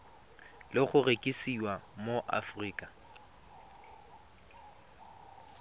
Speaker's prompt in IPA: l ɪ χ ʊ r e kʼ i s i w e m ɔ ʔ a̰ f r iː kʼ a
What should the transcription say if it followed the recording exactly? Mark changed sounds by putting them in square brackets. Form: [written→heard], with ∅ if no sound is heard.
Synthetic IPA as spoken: l ɪ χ ʊ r e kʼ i s i w [e→a] m [ɔ→o] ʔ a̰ f r iː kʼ a